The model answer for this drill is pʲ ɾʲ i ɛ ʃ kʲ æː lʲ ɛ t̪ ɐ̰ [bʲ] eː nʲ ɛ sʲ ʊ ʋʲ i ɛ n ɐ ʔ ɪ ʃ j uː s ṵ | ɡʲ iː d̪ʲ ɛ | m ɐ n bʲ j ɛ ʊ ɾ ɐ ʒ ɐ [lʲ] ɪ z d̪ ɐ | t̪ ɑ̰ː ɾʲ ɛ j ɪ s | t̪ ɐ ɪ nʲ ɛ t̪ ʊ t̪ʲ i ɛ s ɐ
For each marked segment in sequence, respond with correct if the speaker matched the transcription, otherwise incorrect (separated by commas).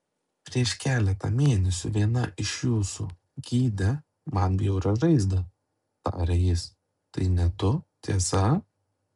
incorrect, incorrect